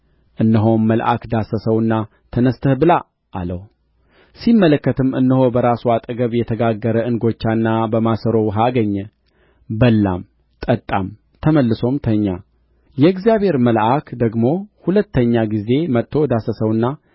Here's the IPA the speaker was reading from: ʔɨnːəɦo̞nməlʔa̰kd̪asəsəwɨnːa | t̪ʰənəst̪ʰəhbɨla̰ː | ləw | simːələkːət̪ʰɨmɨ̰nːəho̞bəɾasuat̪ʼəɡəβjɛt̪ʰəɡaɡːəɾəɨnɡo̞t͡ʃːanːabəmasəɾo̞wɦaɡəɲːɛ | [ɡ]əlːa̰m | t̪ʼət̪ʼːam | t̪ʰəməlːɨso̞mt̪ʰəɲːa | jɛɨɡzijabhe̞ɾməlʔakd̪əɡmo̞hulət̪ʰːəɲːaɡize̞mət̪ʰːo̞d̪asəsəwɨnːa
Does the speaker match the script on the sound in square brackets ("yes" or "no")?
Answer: no